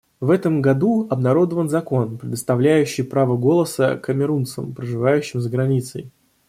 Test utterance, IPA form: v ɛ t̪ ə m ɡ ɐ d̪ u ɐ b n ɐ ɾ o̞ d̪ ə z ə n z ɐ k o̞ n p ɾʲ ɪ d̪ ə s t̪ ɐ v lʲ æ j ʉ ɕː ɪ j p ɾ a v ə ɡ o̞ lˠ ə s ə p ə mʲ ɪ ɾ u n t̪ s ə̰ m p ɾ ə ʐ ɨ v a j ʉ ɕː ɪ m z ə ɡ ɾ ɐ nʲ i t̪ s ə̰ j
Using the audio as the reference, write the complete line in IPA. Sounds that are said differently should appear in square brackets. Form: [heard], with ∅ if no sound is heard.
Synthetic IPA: v ɛ t̪ ə m ɡ ɐ d̪ u ɐ b n ɐ ɾ o̞ d̪ ə [v] ə n z ɐ k o̞ n p ɾʲ ɪ d̪ ə s t̪ ɐ v lʲ æ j ʉ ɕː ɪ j p ɾ a v ə ɡ o̞ lˠ ə s ə [k] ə mʲ ɪ ɾ u n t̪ s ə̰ m p ɾ ə ʐ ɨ v a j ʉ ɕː ɪ m z ə ɡ ɾ ɐ nʲ i t̪ s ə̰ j